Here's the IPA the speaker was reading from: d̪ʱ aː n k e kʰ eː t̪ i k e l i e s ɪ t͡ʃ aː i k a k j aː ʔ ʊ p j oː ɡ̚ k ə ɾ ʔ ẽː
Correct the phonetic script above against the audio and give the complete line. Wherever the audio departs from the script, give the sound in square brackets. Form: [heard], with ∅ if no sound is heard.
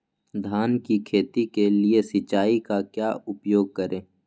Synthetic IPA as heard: d̪ʱ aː n k [i] kʰ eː t̪ i k e l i e s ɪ t͡ʃ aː i k a k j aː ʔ ʊ p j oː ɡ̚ k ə ɾ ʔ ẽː